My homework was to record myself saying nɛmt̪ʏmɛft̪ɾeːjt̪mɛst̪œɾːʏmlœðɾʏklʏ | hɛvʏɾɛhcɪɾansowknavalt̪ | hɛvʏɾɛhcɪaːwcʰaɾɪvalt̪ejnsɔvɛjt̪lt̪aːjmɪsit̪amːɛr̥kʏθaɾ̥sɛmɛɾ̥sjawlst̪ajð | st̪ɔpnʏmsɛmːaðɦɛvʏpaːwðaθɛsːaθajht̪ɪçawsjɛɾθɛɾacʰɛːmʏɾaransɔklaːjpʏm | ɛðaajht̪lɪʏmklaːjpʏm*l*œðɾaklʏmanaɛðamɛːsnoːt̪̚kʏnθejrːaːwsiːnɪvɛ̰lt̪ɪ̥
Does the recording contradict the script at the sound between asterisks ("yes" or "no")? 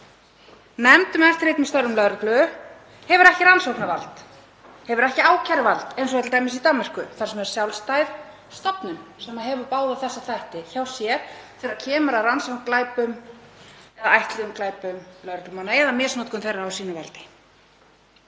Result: no